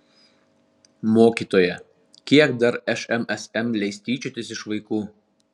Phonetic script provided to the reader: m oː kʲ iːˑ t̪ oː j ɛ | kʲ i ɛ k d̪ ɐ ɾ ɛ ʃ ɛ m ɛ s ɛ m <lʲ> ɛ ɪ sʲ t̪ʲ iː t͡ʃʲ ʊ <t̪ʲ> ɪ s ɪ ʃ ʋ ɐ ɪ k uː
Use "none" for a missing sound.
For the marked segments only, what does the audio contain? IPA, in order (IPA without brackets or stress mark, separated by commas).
lʲ, t̪ʲ